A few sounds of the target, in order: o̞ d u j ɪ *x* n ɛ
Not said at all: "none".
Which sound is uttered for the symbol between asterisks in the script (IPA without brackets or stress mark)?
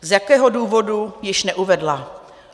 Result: ʃ